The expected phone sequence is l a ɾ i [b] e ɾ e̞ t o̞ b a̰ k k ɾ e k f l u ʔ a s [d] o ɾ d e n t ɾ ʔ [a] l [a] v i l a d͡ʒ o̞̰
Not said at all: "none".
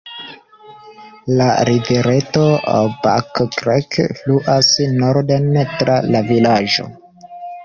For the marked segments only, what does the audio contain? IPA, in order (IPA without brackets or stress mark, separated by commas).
v, n, a, a